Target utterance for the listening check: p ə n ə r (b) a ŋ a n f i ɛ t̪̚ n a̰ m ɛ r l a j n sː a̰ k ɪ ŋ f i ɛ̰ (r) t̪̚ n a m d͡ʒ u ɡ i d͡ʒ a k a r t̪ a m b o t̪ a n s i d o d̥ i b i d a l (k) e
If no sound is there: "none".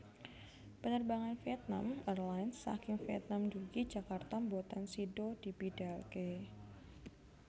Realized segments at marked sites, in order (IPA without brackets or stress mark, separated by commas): b, none, k